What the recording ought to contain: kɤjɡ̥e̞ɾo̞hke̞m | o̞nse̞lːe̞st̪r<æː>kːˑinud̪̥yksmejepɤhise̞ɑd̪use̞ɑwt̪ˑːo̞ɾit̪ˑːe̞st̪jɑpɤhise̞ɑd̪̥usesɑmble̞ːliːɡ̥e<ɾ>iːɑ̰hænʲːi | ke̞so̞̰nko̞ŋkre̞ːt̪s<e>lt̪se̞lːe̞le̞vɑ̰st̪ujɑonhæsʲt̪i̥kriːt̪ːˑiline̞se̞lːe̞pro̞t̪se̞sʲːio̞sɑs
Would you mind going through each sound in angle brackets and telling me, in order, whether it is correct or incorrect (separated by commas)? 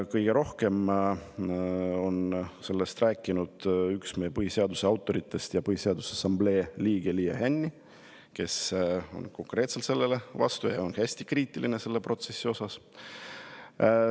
correct, incorrect, correct